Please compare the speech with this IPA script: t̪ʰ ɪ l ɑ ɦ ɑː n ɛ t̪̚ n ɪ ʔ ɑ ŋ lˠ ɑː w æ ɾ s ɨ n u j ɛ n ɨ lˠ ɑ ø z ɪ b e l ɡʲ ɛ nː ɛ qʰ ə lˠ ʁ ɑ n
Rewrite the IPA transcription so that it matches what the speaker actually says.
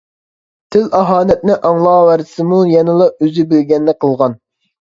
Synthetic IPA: t̪ʰ ɪ l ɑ ɦ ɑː n ɛ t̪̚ n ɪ ʔ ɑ ŋ lˠ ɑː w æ ɾ s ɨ m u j ɛ n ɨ lˠ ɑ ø z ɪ b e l ɡʲ ɛ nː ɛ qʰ ə lˠ ʁ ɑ n